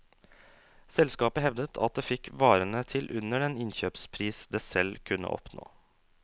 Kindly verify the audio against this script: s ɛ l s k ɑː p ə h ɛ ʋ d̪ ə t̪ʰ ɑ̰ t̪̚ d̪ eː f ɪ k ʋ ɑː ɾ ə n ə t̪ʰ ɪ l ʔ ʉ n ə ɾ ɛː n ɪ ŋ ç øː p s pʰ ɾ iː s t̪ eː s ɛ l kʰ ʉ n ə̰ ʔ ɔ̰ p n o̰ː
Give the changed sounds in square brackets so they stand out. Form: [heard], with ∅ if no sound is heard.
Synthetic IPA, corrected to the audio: s ɛ l s k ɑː p ə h ɛ ʋ d̪ ə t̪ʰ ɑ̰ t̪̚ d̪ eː f ɪ k ʋ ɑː ɾ ə n ə t̪ʰ ɪ l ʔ ʉ n ə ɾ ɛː n ɪ [n] ç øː p s pʰ ɾ iː s [d̪] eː s ɛ l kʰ ʉ n ə̰ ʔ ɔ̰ p n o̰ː